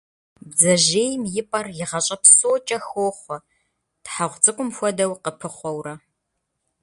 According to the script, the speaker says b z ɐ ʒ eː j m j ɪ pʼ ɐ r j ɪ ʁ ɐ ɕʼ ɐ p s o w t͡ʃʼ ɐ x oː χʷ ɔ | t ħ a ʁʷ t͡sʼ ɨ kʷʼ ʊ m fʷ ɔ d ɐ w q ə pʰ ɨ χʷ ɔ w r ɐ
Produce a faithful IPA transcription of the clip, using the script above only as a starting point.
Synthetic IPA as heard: b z ɐ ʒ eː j m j ɪ pʼ ɐ r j ɪ ʁ ɐ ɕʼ ɐ p s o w t͡ʃʼ ɐ x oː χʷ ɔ | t ħ a ʁʷ t͡sʼ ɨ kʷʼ ʊ m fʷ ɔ d ɐ w q ə pʰ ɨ χʷ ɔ w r ɐ